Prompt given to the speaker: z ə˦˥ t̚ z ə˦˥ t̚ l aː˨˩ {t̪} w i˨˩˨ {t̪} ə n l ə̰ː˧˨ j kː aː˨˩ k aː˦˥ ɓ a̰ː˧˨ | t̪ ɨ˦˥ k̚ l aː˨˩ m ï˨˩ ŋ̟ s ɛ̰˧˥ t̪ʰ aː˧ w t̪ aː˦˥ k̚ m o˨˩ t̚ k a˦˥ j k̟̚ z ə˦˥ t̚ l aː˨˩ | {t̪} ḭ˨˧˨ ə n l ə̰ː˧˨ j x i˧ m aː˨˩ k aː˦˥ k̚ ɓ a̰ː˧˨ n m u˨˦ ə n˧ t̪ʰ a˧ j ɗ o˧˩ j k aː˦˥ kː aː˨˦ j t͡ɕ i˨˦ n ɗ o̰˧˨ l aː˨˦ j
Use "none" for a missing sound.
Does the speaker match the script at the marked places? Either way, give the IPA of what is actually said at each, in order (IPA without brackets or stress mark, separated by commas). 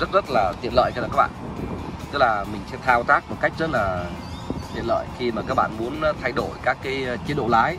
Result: t̪, none, t̪